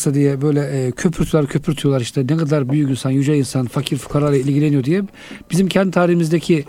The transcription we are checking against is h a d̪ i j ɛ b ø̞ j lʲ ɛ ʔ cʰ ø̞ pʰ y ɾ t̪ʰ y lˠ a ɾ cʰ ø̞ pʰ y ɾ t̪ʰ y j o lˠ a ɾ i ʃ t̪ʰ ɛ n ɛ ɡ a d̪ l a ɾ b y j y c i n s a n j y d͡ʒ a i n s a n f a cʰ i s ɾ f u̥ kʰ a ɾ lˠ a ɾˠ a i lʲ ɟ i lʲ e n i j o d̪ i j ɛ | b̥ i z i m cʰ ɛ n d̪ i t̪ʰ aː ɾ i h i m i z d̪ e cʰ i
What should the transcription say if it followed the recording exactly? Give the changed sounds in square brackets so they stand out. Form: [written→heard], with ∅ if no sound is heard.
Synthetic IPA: [h→s] a d̪ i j ɛ b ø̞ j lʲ ɛ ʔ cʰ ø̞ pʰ y ɾ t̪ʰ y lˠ a ɾ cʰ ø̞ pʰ y ɾ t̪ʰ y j o lˠ a ɾ i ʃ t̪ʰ ɛ n ɛ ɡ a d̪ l a ɾ b y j y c i n s a n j y d͡ʒ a i n s a n f a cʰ i [s→∅] ɾ f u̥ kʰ a ɾ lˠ a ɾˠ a i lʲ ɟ i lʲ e n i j o d̪ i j ɛ | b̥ i z i m cʰ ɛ n d̪ i t̪ʰ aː ɾ i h i m i z d̪ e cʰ i